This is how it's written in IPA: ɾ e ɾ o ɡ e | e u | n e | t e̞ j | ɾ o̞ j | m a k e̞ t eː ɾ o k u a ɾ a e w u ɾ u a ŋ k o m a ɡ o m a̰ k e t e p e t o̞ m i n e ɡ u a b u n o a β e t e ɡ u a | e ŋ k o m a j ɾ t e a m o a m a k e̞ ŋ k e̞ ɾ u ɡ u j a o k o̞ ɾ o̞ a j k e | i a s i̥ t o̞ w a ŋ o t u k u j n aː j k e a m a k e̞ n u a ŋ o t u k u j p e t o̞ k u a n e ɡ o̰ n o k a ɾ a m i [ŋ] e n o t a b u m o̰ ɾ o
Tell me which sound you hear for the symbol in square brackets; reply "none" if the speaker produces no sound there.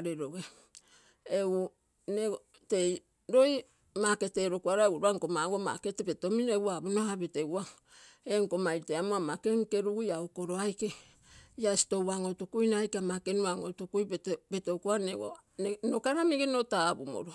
ɡ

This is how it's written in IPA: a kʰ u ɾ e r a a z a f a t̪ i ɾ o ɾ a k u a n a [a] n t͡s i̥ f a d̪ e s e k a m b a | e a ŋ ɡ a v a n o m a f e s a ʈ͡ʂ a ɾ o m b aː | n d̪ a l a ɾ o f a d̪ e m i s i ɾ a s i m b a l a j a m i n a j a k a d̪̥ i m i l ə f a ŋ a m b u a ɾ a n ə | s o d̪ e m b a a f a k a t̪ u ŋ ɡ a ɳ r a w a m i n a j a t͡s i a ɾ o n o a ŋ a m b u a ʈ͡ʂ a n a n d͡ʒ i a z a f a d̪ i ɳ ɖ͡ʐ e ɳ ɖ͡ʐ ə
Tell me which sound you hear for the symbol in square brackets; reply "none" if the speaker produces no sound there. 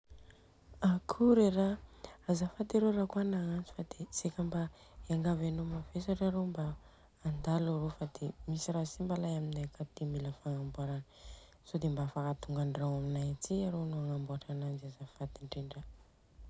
a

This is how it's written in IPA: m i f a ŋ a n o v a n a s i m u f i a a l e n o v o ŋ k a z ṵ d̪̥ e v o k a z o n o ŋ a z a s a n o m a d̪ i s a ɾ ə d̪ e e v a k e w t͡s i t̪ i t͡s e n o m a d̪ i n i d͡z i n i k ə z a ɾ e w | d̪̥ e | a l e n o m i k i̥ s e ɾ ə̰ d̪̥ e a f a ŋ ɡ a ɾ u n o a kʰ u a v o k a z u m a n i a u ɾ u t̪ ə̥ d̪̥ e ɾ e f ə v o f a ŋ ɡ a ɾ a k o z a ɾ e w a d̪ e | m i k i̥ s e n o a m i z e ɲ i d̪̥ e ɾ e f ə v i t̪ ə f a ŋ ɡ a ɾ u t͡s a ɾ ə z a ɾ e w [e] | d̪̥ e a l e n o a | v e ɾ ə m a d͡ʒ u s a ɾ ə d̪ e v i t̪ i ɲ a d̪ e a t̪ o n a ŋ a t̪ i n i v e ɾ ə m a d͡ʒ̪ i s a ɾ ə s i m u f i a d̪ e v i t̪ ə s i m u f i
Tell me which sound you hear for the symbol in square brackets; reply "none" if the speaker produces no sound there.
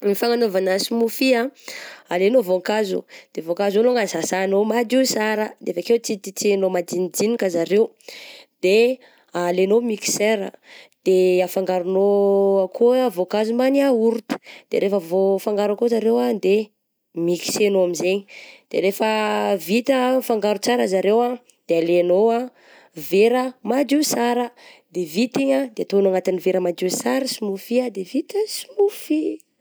a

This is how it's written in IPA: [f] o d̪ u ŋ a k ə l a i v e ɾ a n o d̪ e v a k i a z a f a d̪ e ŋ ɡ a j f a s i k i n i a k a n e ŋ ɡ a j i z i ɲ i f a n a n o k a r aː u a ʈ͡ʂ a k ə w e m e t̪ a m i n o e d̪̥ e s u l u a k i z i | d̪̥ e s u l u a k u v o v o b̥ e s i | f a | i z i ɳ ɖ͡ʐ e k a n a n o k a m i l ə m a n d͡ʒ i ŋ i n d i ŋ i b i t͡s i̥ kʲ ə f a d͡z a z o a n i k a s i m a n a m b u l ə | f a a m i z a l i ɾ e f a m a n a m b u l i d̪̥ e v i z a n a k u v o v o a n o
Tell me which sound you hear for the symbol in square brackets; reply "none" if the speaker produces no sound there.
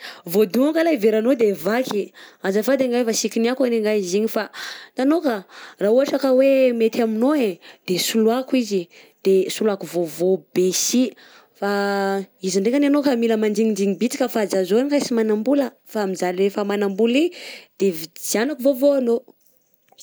v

